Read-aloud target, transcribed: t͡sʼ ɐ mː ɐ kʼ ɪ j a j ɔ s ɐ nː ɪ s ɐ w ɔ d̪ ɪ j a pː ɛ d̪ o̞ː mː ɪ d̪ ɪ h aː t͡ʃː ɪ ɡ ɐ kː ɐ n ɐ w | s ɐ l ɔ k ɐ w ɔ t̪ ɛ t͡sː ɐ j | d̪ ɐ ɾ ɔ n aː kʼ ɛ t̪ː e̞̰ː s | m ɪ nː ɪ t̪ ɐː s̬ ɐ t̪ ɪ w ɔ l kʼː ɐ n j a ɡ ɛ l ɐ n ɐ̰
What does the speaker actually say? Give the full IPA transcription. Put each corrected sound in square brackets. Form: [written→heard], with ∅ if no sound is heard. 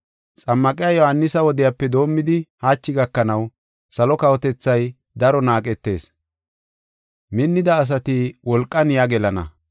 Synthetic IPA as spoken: t͡sʼ ɐ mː ɐ kʼ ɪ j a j ɔ [s→h] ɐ nː ɪ s ɐ w ɔ d̪ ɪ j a pː ɛ d̪ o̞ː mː ɪ d̪ ɪ h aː t͡ʃː ɪ ɡ ɐ kː ɐ n ɐ w | s ɐ l ɔ k ɐ w ɔ t̪ ɛ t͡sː ɐ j | d̪ ɐ ɾ ɔ n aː kʼ ɛ t̪ː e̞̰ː s | m ɪ nː ɪ [t̪→d̪] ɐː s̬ ɐ t̪ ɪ w ɔ l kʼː ɐ n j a ɡ ɛ l ɐ n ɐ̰

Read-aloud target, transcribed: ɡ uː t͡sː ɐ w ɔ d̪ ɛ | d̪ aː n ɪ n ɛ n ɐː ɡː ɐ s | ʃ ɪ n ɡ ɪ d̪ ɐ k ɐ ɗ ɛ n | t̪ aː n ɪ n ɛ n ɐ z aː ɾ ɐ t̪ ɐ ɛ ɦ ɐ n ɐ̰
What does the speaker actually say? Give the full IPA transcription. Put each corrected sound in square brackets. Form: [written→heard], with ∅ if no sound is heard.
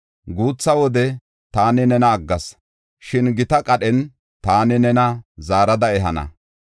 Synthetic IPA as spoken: ɡ uː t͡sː ɐ w ɔ d̪ ɛ | [d̪→t̪] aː n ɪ n ɛ n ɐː ɡː ɐ s | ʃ ɪ n ɡ ɪ [d̪→t̪] ɐ [k→kʼ] ɐ ɗ ɛ n | t̪ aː n ɪ n ɛ n ɐ z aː ɾ ɐ [t̪→d̪] ɐ ɛ ɦ ɐ n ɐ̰

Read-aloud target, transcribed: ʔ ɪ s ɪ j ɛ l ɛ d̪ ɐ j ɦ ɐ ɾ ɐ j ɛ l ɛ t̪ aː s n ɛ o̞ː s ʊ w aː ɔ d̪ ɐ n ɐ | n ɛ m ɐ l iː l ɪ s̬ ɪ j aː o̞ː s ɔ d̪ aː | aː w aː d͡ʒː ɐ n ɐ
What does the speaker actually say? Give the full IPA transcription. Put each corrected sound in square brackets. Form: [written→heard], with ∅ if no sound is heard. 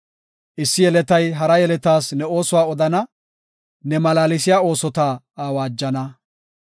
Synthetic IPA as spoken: ʔ ɪ [s→sː] ɪ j ɛ l ɛ [d̪→t̪] ɐ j ɦ ɐ ɾ ɐ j ɛ l ɛ t̪ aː s n ɛ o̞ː s ʊ w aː ɔ d̪ ɐ n ɐ | n ɛ m ɐ l [iː→aː] l ɪ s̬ ɪ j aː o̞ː s ɔ [d̪→t̪] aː | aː w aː d͡ʒː ɐ n ɐ

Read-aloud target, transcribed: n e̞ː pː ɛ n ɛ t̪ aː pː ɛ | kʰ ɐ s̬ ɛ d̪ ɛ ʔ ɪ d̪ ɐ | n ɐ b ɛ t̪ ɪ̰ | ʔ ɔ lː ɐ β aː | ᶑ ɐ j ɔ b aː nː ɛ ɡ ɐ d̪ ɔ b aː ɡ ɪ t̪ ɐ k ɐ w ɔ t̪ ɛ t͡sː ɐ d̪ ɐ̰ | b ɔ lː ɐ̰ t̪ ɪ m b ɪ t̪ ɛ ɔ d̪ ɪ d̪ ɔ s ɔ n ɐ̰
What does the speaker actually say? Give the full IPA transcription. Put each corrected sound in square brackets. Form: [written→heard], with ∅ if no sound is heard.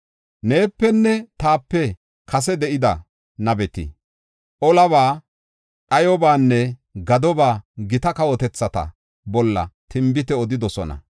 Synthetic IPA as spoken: n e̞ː pː ɛ [n→nː] ɛ t̪ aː pː ɛ | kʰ ɐ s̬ ɛ d̪ ɛ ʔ ɪ d̪ ɐ | n ɐ b ɛ t̪ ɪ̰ | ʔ ɔ [lː→l] ɐ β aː | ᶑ ɐ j ɔ b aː nː ɛ ɡ ɐ d̪ ɔ b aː ɡ ɪ t̪ ɐ k ɐ w ɔ t̪ ɛ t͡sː ɐ [d̪→t̪] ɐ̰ | b ɔ lː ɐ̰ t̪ ɪ m b ɪ t̪ ɛ ɔ d̪ ɪ d̪ ɔ s ɔ n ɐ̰

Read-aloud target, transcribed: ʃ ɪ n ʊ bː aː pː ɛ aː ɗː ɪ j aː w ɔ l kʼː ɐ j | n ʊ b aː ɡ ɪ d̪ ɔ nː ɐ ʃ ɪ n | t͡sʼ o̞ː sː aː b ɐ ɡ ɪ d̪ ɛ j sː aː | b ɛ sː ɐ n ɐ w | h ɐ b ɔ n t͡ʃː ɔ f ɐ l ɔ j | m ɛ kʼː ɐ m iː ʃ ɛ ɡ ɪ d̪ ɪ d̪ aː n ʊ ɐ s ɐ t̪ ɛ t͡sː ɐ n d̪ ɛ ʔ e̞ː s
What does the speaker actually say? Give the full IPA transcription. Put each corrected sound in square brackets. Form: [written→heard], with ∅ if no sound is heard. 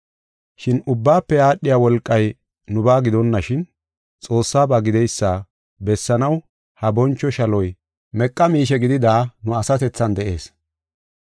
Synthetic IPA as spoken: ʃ ɪ n ʊ bː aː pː ɛ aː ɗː ɪ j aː w ɔ l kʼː ɐ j | n ʊ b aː ɡ ɪ d̪ ɔ nː ɐ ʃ ɪ n | t͡sʼ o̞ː sː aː b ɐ ɡ ɪ d̪ ɛ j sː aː | b ɛ sː ɐ n ɐ w | h ɐ b ɔ n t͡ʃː ɔ [f→ʃ] ɐ l ɔ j | m ɛ kʼː ɐ m iː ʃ ɛ ɡ ɪ d̪ ɪ d̪ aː n ʊ ɐ s ɐ t̪ ɛ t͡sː ɐ n d̪ ɛ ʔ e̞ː s

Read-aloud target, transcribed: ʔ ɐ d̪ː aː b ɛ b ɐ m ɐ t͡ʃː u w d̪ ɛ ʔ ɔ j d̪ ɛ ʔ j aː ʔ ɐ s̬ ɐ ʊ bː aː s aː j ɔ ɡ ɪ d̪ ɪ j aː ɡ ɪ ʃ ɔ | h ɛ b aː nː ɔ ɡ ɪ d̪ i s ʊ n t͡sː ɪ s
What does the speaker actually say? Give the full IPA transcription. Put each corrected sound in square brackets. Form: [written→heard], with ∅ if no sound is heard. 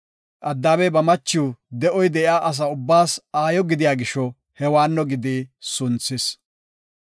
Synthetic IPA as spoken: ʔ ɐ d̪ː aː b ɛ b ɐ m ɐ t͡ʃː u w d̪ ɛ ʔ ɔ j d̪ ɛ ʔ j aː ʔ ɐ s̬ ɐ ʊ bː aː s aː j ɔ ɡ ɪ d̪ ɪ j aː ɡ ɪ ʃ ɔ | h ɛ [b→w] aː nː ɔ ɡ ɪ d̪ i s ʊ n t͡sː ɪ s

